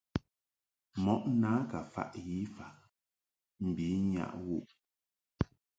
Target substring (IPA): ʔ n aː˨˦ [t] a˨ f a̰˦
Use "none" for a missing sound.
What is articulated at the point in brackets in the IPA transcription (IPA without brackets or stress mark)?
k